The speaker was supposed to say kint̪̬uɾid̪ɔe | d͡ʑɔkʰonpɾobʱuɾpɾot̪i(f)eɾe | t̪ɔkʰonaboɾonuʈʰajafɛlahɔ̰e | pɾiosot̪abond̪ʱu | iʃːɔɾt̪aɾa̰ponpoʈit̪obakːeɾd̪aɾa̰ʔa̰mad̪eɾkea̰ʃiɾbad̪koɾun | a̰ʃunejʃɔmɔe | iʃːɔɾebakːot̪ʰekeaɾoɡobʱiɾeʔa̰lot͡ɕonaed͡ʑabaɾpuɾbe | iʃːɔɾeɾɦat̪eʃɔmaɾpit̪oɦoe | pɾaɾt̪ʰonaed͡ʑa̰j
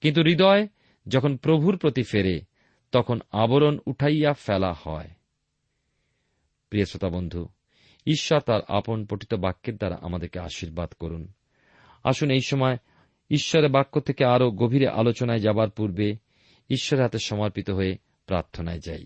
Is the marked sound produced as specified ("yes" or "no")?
yes